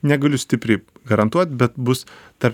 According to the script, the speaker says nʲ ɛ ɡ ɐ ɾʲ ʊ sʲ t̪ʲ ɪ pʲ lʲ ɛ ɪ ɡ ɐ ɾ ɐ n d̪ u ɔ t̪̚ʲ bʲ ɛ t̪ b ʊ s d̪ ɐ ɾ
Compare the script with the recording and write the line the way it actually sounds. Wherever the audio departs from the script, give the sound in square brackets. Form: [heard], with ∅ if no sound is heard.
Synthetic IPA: nʲ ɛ ɡ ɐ [lʲ] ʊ sʲ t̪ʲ ɪ pʲ [ɾʲ] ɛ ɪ ɡ ɐ ɾ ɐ n [t̪] u ɔ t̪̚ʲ bʲ ɛ t̪ b ʊ s [t̪] ɐ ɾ